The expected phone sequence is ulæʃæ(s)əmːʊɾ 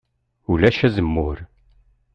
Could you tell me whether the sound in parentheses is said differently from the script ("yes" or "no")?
yes